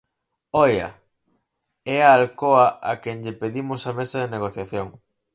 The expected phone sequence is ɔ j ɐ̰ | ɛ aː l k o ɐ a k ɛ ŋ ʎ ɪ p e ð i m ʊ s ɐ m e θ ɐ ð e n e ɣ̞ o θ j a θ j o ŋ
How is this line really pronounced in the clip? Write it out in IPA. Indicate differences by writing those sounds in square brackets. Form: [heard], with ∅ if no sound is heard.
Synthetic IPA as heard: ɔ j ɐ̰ | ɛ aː l k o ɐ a k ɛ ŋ ʎ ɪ p e ð i m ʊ s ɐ m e [s] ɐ ð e n e ɣ̞ o θ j a θ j o ŋ